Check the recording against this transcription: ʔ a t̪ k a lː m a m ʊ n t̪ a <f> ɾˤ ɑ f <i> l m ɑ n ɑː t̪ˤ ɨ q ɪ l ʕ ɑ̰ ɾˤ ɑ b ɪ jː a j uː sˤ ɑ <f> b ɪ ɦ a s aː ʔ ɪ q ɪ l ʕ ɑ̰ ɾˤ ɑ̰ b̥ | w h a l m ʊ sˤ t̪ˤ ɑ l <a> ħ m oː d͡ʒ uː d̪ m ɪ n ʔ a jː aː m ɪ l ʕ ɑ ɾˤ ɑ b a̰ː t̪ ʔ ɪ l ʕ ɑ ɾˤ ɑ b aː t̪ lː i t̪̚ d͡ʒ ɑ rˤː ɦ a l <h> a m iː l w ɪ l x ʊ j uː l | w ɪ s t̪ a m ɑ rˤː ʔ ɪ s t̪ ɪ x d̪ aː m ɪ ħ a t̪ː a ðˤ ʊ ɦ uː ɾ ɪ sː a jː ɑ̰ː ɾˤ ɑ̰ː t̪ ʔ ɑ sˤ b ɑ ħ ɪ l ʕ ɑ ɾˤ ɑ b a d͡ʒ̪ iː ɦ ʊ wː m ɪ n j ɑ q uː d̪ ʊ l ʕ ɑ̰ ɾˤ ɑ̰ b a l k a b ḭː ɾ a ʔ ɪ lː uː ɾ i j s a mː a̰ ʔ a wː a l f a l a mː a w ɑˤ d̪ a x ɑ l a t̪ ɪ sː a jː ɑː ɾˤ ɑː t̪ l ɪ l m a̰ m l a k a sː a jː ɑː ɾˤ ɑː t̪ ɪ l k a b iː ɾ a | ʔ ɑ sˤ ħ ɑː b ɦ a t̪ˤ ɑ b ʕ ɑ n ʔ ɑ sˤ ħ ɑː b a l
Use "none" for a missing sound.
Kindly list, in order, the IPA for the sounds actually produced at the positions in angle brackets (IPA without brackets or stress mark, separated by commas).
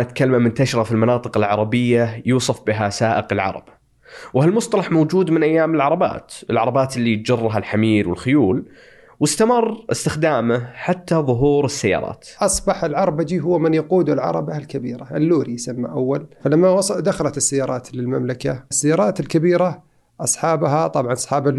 ʃ, i, f, ɑ, ħ